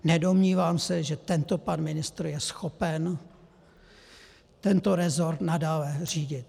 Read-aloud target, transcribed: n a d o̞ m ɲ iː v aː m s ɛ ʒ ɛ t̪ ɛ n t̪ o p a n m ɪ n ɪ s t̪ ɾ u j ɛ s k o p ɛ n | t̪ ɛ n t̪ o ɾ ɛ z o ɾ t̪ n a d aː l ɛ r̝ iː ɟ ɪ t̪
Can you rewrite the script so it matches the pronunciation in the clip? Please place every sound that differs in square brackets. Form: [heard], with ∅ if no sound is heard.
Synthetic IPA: n [ɛ] d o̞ m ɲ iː v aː m s ɛ ʒ ɛ t̪ ɛ n t̪ o p a n m ɪ n ɪ s t̪ ɾ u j ɛ s [x] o p ɛ n | t̪ ɛ n t̪ o ɾ ɛ z o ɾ t̪ n a d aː l ɛ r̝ iː ɟ ɪ t̪